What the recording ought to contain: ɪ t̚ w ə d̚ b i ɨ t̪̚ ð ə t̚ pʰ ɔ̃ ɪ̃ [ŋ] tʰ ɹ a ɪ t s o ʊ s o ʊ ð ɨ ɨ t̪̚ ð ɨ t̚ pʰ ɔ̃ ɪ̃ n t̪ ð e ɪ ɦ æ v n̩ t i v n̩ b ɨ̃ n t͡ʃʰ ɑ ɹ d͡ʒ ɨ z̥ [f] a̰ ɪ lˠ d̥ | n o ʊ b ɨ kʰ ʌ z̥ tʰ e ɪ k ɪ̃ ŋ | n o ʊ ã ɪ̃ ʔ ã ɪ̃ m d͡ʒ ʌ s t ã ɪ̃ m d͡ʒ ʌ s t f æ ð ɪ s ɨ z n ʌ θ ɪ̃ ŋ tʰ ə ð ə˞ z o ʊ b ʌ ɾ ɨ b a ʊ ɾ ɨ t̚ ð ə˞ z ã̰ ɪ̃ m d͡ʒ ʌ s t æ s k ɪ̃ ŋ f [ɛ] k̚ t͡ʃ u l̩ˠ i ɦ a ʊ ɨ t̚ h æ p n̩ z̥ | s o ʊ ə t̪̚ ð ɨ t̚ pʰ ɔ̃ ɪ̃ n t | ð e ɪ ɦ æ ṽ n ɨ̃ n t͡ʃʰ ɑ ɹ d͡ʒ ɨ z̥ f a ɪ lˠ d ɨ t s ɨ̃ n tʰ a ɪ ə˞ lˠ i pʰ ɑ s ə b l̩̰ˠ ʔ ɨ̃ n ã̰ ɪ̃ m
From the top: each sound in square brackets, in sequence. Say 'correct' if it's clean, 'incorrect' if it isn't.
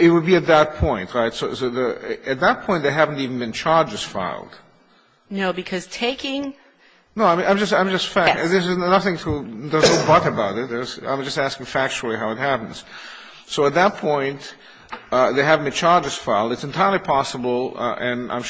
incorrect: n, correct, incorrect: æ

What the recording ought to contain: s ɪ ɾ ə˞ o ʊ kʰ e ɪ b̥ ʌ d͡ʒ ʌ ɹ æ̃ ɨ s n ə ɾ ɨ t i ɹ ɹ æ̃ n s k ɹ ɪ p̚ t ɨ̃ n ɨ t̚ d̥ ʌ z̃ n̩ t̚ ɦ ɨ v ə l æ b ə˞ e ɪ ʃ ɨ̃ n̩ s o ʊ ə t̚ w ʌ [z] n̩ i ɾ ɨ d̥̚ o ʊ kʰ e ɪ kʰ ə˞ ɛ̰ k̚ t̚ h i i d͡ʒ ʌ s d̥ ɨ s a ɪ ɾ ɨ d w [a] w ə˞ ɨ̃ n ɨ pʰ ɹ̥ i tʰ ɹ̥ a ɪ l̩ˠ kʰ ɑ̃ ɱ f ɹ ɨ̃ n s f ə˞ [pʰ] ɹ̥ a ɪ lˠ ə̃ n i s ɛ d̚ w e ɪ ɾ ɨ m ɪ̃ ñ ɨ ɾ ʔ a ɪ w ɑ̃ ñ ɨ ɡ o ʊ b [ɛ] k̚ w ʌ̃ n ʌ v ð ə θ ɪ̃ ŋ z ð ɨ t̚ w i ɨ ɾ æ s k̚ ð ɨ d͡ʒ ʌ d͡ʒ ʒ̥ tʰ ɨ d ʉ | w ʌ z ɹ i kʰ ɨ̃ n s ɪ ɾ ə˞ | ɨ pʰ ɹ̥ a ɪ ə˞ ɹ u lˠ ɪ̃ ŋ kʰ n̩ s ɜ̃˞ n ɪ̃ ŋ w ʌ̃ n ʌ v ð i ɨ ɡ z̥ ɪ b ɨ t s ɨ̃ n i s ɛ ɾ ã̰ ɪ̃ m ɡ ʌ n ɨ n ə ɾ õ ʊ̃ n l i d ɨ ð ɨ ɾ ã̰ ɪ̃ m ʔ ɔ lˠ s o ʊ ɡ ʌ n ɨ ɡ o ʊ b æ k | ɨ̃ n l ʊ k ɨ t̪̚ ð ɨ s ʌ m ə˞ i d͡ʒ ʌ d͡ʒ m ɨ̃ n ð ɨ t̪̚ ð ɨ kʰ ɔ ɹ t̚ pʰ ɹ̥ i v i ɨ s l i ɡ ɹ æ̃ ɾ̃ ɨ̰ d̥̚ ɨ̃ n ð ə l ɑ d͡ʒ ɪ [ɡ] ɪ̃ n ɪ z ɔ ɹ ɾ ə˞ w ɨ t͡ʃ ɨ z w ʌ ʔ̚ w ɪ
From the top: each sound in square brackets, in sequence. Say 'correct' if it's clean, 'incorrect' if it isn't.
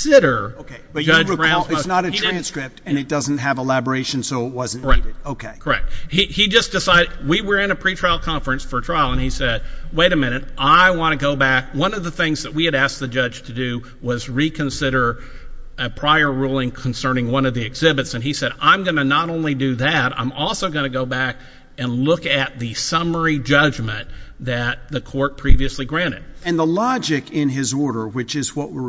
correct, incorrect: i, incorrect: tʰ, incorrect: æ, incorrect: k

